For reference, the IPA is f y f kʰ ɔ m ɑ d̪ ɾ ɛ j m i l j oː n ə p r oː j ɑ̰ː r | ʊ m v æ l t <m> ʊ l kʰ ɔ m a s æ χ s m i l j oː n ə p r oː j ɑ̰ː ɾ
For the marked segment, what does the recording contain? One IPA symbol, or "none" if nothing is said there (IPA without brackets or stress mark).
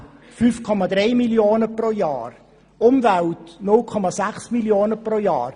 n